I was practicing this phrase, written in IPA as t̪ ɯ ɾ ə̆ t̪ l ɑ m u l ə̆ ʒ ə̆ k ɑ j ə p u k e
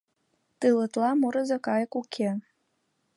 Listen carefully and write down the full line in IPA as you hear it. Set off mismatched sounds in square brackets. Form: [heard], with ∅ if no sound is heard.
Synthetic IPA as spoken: t̪ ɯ [l] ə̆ t̪ l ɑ m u [ɾ] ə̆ [z] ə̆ k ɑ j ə [k] u [kʰ] e